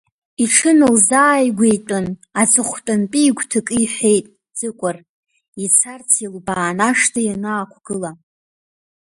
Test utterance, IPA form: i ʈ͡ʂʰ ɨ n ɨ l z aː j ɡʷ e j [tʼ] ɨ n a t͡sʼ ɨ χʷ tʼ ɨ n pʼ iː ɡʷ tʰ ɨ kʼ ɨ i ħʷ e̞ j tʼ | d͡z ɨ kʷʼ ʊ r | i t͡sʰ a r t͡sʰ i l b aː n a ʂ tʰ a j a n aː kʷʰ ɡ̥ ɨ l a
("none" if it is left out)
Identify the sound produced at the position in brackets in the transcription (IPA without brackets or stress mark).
tʼ